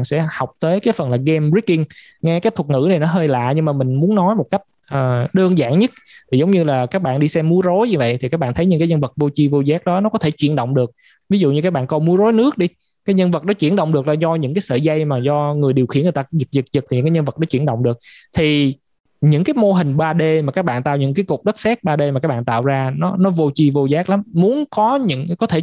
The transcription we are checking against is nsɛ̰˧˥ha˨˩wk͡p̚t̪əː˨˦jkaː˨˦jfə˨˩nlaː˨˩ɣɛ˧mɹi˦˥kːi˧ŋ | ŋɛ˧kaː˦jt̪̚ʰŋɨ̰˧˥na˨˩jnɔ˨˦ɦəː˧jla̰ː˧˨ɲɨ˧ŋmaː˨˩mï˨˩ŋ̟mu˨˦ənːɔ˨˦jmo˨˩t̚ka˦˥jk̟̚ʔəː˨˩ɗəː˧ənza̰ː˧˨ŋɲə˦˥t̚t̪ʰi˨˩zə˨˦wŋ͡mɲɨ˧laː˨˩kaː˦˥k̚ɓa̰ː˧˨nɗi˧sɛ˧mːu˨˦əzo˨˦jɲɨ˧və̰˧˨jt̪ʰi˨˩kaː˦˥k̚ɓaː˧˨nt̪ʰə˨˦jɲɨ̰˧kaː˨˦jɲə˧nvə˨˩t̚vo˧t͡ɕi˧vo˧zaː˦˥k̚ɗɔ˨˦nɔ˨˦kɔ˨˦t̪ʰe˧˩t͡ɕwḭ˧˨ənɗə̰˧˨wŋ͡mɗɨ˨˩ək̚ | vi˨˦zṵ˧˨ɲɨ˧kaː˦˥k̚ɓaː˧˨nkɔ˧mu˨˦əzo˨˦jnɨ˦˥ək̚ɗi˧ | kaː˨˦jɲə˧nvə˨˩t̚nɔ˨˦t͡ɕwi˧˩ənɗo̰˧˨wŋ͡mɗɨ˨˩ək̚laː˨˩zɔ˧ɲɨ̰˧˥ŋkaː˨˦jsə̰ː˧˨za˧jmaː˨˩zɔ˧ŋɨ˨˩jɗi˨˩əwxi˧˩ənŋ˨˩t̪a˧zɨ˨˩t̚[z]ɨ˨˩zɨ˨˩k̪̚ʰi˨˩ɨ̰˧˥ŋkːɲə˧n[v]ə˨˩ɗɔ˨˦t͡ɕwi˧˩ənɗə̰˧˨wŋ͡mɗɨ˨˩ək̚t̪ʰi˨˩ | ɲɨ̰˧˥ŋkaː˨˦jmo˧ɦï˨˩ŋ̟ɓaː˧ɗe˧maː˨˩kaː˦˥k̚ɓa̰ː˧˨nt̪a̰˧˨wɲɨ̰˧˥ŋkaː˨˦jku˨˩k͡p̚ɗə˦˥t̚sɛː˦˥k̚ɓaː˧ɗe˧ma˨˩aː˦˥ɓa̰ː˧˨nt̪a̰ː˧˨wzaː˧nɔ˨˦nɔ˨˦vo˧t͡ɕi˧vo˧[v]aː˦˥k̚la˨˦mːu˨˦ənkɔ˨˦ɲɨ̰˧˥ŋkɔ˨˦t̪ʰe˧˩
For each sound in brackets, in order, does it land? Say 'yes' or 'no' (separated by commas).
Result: yes, yes, no